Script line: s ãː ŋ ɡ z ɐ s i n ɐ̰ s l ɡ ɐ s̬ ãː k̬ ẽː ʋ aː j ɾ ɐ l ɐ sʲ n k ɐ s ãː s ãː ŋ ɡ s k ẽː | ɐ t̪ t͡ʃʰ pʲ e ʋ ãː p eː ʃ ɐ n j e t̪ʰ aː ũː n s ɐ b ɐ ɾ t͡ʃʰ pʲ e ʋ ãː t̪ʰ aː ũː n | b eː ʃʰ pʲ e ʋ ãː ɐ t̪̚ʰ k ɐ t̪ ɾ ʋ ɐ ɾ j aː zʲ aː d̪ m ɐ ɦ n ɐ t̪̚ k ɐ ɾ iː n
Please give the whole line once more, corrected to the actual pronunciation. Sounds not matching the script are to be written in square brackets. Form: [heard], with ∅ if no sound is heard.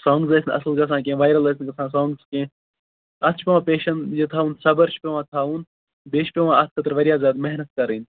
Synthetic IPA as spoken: s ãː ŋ ɡ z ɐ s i n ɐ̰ s l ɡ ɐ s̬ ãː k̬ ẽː ʋ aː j ɾ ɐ l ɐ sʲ n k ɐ s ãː s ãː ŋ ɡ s k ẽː | ɐ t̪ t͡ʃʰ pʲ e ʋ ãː p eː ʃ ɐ n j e t̪ʰ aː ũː n s ɐ b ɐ ɾ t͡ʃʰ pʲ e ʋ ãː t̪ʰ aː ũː n | b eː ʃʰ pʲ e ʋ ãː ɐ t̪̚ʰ k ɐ t̪ ɾ ʋ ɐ ɾ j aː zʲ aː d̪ m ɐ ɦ n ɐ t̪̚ k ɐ ɾ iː n